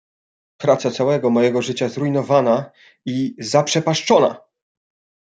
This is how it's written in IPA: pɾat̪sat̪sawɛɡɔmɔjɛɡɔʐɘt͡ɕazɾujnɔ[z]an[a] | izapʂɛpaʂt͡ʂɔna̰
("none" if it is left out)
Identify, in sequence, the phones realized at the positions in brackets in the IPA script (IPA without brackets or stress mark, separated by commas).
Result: v, a